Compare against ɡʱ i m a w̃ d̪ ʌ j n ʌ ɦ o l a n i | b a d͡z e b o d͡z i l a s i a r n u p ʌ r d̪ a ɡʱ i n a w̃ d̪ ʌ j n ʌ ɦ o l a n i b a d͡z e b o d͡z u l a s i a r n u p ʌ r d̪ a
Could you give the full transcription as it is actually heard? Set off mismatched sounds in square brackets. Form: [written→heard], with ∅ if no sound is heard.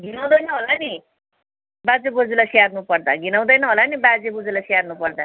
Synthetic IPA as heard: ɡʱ i [m→n] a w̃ d̪ ʌ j n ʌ ɦ o l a n i | b a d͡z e b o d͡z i l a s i a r n u p ʌ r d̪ a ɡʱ i n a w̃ d̪ ʌ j n ʌ ɦ o l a n i b a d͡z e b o d͡z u l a s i a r n u p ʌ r d̪ a